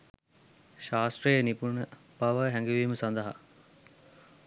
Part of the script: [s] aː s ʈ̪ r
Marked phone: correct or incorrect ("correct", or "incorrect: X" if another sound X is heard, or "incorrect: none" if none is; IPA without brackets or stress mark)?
incorrect: ʃ